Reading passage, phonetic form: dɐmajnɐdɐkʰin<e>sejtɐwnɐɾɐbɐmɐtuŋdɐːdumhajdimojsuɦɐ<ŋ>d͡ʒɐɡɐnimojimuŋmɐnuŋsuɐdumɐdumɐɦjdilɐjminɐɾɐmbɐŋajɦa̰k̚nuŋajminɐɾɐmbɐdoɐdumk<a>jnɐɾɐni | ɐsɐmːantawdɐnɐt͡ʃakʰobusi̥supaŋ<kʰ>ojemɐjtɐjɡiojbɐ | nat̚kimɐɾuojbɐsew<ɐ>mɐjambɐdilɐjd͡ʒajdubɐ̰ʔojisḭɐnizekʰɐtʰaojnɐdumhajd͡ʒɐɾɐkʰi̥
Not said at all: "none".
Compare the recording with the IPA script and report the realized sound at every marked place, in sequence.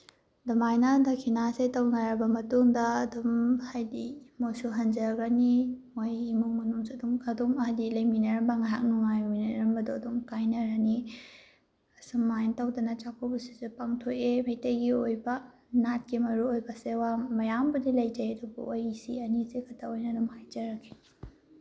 a, n, a, tʰ, a

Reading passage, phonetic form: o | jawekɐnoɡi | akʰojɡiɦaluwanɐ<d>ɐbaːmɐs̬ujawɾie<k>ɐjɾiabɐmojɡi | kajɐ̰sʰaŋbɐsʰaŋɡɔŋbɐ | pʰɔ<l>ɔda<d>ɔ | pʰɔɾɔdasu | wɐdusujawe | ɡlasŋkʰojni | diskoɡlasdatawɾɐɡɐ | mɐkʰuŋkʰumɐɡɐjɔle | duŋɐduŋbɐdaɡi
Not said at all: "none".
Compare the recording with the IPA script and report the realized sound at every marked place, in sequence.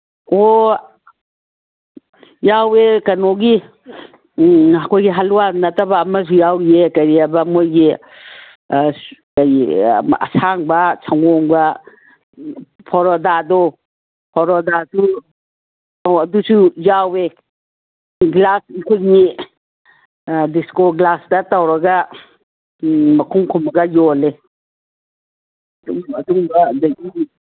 t, k, ɾ, d

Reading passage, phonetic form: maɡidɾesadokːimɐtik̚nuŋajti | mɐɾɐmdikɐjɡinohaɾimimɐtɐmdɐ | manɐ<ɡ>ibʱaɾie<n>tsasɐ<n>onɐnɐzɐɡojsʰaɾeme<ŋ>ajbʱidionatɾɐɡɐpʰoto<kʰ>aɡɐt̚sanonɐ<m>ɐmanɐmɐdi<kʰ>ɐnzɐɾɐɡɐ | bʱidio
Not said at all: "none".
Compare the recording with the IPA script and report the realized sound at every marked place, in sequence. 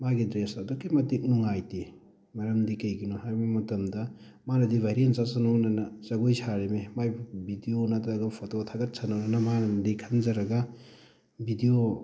d, n, n, m, tʰ, n, kʰ

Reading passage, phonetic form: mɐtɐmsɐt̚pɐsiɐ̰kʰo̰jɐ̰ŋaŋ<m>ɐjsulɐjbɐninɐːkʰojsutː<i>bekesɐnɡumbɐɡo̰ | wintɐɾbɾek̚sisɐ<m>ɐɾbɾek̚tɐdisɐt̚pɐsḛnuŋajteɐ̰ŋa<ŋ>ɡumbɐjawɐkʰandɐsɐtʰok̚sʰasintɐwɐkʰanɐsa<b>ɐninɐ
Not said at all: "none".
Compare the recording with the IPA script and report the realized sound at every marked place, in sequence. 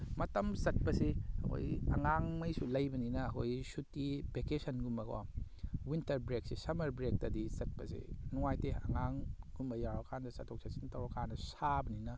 m, i, m, ŋ, b

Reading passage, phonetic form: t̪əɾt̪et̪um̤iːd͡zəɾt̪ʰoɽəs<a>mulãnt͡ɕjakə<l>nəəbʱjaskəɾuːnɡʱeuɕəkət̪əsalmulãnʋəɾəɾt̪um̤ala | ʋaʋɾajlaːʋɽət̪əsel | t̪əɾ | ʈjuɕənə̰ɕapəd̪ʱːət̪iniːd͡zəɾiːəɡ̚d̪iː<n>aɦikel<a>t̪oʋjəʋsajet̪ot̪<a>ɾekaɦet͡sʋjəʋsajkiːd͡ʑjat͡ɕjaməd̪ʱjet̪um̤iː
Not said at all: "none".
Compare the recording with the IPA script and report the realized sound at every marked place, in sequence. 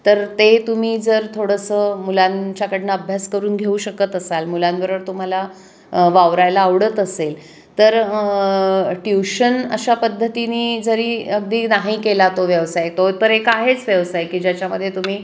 ə, ɽ, n, a, ə

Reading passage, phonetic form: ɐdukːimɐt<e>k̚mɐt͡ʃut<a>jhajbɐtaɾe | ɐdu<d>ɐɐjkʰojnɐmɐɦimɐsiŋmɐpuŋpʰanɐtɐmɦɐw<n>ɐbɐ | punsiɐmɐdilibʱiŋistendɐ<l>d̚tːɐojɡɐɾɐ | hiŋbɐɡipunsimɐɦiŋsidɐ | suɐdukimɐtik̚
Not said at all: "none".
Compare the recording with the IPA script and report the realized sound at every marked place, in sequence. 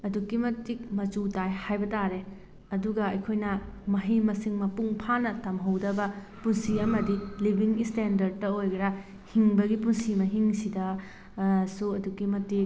i, a, ɡ, d, ɾ

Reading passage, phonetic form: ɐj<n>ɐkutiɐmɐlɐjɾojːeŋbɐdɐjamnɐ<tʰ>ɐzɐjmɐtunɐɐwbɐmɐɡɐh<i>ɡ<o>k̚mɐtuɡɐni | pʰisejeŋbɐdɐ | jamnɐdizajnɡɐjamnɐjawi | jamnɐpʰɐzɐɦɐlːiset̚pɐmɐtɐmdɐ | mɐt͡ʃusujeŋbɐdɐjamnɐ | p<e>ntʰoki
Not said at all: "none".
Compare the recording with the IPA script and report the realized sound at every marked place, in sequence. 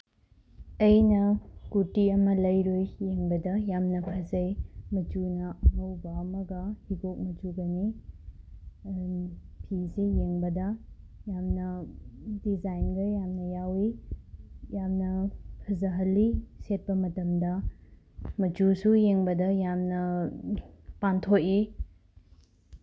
n, pʰ, i, o, a

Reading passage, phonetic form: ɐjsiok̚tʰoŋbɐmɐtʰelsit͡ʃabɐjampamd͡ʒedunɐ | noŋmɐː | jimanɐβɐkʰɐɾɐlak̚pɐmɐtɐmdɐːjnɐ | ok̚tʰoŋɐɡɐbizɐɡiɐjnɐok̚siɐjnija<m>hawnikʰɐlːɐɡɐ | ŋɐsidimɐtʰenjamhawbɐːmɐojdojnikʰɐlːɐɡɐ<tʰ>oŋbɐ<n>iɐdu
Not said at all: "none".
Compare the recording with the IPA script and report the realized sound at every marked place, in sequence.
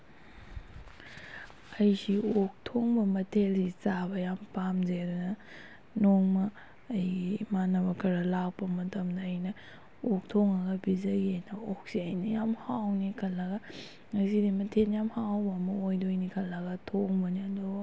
m, tʰ, n

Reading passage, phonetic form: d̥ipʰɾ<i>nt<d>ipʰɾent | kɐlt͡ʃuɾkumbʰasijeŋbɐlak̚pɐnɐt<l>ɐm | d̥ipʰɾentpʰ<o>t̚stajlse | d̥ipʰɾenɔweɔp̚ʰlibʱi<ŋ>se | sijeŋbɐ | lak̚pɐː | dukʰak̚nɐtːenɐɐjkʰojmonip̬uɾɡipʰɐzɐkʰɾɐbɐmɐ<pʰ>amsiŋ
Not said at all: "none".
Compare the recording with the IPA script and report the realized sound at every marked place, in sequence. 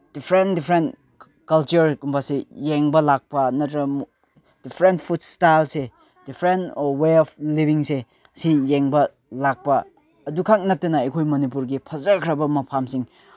e, d, ɾ, u, ŋ, pʰ

